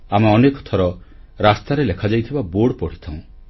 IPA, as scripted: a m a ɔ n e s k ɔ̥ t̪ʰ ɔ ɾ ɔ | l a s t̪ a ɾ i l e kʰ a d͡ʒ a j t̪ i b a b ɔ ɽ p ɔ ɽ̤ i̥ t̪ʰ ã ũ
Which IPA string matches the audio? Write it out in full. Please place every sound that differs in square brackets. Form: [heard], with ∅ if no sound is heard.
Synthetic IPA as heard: a m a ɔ n e [∅] k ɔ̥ t̪ʰ ɔ ɾ ɔ | [ɾ] a s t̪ a ɾ [e] l e kʰ a d͡ʒ a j [t̪ʰ] i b a b [o] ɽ p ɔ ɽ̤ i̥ t̪ʰ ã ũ